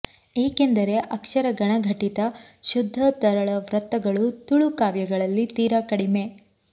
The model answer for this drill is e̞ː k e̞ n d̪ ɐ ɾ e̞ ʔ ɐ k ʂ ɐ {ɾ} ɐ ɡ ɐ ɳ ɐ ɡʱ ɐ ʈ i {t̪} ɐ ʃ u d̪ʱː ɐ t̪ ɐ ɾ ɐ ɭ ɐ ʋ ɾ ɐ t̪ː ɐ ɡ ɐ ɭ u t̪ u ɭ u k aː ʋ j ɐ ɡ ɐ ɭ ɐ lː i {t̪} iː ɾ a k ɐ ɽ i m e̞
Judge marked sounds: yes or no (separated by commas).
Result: yes, yes, yes